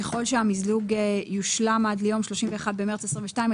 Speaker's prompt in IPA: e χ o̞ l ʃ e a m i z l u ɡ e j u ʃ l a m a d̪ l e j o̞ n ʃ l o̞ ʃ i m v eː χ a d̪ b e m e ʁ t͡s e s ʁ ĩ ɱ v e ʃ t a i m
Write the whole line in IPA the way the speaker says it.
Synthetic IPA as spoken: e χ o̞ l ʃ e a m i z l u ɡ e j u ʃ l a m a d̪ l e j o̞ m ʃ l o̞ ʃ i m v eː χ a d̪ b e m e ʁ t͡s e s ʁ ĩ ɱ v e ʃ t a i m